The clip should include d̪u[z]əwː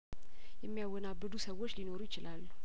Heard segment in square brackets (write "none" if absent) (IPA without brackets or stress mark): s